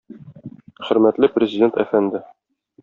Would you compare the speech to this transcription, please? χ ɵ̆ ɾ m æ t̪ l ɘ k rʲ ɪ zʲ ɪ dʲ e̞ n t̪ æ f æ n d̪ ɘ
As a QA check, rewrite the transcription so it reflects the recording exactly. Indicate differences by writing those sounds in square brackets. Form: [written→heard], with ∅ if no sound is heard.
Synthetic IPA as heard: χ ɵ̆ ɾ m æ t̪ l ɘ [k→p] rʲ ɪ zʲ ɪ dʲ e̞ n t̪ æ f æ n d̪ ɘ